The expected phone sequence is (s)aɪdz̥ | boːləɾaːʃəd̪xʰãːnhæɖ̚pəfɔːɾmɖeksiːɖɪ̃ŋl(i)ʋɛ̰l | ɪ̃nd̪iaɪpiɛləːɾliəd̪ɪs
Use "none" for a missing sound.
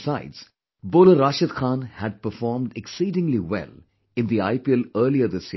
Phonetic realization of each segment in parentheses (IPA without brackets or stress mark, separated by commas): s, i